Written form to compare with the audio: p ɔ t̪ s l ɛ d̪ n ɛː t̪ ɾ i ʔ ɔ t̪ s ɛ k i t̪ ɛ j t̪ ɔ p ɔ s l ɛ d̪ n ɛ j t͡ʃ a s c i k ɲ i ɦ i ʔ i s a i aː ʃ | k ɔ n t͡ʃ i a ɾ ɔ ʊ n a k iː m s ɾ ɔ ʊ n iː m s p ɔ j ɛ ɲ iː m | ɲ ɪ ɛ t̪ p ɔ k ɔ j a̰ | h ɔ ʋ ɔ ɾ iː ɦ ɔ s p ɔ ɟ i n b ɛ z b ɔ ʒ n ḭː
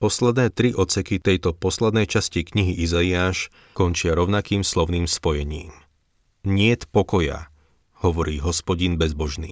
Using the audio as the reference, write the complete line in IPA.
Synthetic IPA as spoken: p ɔ s l ɛ d̪ n ɛː t̪ ɾ i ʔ ɔ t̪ s ɛ k i t̪ ɛ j t̪ ɔ p ɔ s l ɛ d̪ n ɛ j t͡ʃ a s c i k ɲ i ɦ i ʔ i z a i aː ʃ | k ɔ n t͡ʃ ɪ a ɾ ɔ ʊ n a k iː m s l ɔ ʊ n iː m s p ɔ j ɛ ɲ iː m | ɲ ɪ ɛ t̪ p ɔ k ɔ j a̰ | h ɔ ʋ ɔ ɾ iː ɦ ɔ s p ɔ ɟ i n b ɛ z b ɔ ʒ n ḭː